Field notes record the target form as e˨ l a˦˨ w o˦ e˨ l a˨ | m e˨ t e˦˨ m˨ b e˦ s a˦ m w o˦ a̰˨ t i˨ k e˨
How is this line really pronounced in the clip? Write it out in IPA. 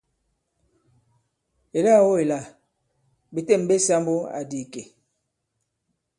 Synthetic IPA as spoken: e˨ l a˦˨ w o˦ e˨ l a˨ | b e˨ t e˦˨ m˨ b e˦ s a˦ m b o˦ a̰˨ d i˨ k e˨